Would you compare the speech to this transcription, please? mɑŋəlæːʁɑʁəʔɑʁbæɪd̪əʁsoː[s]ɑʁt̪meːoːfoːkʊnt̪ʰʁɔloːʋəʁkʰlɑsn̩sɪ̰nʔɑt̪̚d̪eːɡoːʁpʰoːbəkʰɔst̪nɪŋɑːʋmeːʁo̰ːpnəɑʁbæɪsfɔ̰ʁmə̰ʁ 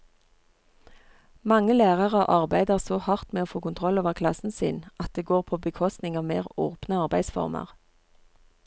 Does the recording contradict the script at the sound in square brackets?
yes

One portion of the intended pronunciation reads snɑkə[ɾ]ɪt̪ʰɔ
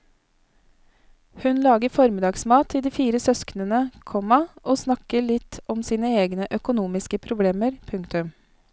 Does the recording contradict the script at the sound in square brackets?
yes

